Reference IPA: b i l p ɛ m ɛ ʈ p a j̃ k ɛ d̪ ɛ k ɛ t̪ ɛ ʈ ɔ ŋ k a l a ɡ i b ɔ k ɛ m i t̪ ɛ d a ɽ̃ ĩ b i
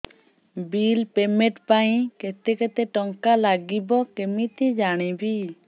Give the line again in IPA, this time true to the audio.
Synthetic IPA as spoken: b i l p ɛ m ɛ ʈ p a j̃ k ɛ t̪ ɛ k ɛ t̪ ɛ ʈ ɔ ŋ k a l a ɡ i b ɔ k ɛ m i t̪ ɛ d͡ʒ a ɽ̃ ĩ b i